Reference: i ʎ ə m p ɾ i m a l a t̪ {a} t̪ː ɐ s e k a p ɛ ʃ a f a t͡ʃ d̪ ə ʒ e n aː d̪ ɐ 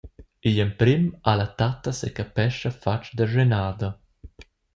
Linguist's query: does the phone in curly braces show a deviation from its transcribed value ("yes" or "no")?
no